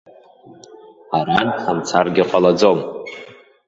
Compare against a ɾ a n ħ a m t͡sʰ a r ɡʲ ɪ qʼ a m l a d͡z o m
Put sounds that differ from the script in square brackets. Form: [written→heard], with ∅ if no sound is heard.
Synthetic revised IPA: a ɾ a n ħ a m t͡sʰ a r ɡʲ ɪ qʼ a [m→∅] l a d͡z o m